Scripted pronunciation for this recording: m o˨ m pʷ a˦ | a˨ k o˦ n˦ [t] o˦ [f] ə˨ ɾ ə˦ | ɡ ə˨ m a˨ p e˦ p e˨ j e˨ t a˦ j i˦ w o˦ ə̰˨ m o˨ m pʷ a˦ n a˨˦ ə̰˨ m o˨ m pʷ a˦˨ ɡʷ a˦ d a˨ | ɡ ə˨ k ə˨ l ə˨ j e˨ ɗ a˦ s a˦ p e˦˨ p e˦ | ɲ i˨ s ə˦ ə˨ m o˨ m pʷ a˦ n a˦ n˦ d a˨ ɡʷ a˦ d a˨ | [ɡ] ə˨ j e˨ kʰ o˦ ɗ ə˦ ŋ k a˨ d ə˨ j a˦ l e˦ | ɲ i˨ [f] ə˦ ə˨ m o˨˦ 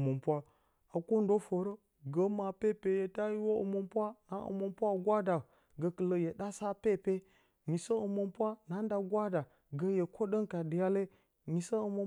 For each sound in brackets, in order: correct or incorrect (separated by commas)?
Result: incorrect, correct, correct, incorrect